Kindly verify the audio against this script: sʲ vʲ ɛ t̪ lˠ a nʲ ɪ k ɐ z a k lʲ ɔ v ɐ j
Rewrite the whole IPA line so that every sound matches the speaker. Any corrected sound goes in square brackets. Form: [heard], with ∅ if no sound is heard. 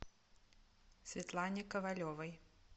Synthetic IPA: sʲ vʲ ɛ t̪ lˠ a nʲ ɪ k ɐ [v] a [∅] lʲ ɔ v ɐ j